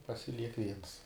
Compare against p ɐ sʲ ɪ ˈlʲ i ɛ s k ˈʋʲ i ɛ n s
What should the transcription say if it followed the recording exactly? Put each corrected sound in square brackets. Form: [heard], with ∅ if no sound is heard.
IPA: p ɐ sʲ ɪ ˈlʲ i ɛ [∅] k ˈʋʲ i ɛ n s